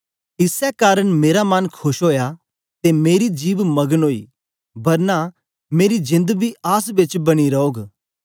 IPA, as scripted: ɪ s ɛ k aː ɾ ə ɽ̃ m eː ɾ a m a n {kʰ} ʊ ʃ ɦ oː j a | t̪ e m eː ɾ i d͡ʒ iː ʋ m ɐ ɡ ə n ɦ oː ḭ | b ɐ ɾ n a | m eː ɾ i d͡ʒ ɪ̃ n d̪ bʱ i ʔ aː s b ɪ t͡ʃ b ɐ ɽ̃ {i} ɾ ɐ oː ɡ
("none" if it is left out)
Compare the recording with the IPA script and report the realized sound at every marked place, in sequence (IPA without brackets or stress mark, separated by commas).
kʰ, i